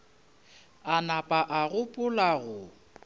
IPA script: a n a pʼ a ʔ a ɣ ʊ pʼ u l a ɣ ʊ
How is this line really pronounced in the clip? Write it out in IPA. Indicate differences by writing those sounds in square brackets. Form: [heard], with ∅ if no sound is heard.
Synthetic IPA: a n a pʼ a ʔ a ɣ ʊ pʼ [ʊ] l a ɣ ʊ